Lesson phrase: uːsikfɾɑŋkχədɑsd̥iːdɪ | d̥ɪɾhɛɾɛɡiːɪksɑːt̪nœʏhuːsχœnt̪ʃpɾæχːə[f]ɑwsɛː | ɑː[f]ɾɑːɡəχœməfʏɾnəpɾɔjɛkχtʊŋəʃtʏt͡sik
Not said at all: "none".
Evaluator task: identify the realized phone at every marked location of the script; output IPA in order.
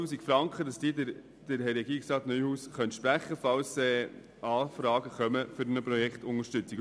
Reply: f, f

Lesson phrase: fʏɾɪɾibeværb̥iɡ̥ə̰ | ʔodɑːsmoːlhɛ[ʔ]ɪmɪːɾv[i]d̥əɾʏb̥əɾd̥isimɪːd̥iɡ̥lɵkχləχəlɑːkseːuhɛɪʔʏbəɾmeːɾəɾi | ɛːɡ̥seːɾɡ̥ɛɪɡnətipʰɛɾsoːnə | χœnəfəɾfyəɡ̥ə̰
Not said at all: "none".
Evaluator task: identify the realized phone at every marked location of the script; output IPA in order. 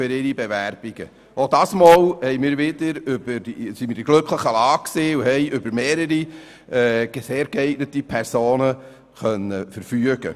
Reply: none, ɪ

